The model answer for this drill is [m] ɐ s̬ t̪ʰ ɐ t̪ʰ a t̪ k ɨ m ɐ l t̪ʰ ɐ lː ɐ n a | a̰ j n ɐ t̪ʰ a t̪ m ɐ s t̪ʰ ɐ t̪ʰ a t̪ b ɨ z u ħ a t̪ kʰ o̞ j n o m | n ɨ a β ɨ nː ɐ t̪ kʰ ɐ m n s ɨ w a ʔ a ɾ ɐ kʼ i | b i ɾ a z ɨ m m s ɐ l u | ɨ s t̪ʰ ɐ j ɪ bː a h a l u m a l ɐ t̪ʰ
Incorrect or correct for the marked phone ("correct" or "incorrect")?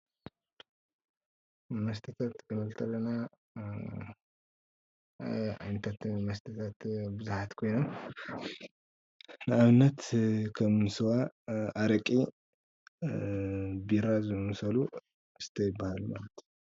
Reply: correct